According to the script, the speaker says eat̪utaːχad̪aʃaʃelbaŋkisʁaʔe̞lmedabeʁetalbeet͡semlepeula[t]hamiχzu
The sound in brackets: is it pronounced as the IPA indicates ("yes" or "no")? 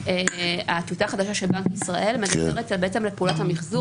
yes